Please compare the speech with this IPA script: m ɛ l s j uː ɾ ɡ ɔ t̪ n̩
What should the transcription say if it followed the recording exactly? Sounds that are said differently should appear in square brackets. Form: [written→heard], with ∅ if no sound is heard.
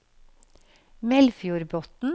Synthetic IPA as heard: m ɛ l [s→f] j uː ɾ [ɡ→b] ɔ t̪ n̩